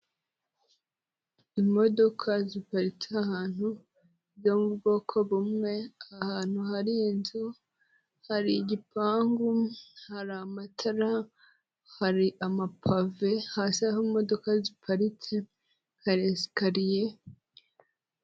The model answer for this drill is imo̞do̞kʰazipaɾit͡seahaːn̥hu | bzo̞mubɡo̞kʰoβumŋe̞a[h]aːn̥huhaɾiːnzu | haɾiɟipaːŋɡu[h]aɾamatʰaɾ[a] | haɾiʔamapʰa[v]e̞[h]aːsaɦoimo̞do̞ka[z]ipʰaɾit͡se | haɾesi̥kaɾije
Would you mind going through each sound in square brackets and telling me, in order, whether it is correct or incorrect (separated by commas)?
correct, correct, correct, correct, correct, correct